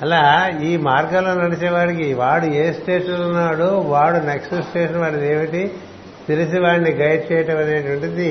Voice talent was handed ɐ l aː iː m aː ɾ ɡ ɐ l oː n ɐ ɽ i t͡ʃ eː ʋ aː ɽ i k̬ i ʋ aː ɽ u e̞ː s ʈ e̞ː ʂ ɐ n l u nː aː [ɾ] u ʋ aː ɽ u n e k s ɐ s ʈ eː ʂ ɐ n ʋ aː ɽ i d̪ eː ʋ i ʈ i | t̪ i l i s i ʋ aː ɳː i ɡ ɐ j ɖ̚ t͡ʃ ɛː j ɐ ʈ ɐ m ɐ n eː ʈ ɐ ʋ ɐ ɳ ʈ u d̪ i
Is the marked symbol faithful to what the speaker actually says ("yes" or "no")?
no